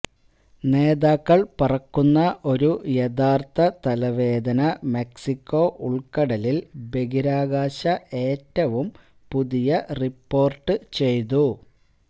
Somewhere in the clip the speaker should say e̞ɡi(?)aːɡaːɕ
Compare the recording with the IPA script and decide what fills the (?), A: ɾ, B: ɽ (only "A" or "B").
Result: A